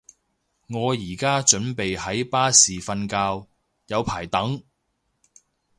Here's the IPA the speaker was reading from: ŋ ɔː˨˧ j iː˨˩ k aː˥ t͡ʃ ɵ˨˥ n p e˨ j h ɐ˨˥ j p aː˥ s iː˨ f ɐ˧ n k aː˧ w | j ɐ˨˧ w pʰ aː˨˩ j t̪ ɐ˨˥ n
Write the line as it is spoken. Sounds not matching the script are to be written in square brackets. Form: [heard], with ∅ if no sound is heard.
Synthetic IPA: ŋ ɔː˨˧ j iː˨˩ k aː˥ t͡ʃ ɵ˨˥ n p e˨ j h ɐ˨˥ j p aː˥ s iː˨ f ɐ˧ n k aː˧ w | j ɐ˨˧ w pʰ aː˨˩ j t̪ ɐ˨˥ [ŋ]